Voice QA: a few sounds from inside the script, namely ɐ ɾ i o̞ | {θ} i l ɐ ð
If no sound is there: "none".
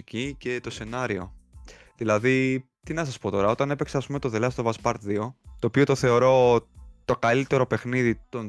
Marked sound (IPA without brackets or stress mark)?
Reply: ð